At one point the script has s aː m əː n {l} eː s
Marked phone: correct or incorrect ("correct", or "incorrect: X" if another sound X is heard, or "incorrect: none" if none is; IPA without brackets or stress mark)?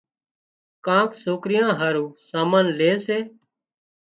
correct